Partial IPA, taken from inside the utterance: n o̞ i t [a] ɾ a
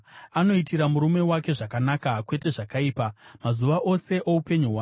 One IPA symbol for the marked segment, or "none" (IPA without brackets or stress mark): i